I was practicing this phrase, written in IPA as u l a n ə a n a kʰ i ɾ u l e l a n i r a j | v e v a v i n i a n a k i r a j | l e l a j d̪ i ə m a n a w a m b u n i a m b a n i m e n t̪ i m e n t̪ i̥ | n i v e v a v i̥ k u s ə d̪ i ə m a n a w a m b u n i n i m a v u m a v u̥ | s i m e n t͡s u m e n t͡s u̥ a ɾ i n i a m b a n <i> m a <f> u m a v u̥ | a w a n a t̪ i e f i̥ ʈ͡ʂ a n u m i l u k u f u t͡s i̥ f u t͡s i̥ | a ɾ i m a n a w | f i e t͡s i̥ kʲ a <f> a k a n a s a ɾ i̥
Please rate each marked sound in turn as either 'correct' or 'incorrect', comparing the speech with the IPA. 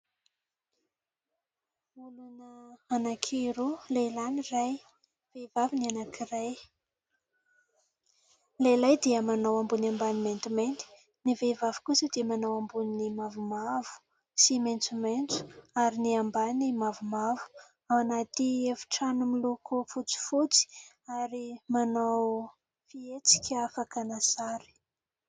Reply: correct, incorrect: v, correct

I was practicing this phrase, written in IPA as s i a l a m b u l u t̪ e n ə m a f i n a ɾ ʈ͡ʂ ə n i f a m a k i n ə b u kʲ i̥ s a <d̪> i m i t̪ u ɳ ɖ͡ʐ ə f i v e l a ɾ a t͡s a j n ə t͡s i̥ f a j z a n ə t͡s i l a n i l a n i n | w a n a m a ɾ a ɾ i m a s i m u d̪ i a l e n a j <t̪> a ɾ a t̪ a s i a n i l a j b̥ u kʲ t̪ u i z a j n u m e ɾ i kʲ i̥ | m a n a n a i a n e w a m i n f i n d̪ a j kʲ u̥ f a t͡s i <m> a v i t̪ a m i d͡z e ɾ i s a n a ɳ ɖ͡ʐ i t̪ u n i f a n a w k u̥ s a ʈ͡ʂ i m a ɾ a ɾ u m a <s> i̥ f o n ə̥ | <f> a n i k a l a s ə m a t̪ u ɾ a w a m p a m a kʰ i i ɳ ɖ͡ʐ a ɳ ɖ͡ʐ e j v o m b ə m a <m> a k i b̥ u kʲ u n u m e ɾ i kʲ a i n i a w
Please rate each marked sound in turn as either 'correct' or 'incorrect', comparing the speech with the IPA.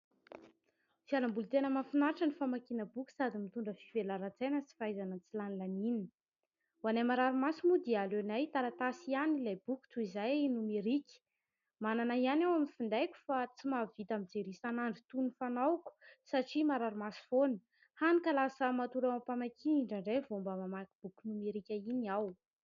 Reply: correct, correct, correct, correct, incorrect: h, correct

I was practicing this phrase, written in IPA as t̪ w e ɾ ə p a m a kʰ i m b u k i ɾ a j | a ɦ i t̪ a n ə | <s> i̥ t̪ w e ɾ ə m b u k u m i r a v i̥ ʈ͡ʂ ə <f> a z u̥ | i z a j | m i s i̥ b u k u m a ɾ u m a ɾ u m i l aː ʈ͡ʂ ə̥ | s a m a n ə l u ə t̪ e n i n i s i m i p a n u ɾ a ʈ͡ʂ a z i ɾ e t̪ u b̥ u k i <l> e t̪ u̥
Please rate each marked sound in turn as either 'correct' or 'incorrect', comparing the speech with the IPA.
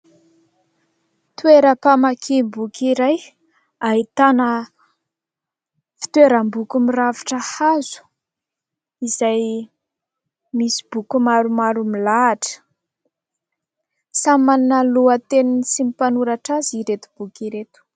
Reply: incorrect: f, incorrect: h, incorrect: ɾ

